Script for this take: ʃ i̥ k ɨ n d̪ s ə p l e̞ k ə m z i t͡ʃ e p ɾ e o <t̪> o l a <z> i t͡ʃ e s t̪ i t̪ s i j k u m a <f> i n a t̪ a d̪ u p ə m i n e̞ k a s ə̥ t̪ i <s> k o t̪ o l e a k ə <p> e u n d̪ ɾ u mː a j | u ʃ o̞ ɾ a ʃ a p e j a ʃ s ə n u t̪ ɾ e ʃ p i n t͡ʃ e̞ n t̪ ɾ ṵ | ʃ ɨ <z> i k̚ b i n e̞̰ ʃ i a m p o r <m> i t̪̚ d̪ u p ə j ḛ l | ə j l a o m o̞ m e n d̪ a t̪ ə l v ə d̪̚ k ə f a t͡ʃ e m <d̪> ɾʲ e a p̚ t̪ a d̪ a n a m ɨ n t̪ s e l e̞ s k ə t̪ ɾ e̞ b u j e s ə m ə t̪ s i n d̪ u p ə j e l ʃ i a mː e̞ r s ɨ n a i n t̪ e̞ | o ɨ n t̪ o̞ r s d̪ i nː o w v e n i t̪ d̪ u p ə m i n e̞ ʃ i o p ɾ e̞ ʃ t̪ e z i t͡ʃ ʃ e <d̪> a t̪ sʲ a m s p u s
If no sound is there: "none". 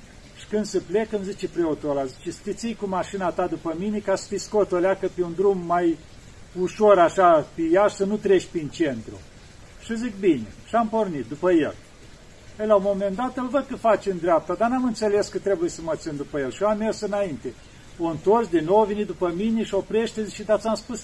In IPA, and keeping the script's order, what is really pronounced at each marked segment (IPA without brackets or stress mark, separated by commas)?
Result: t̪, z, ʃ, s, p, z, n, d̪, d̪